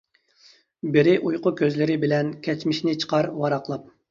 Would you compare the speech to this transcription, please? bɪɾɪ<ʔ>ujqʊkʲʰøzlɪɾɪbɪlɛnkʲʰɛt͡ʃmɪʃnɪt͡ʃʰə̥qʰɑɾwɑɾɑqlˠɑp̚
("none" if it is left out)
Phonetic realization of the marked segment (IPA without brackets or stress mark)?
ʔ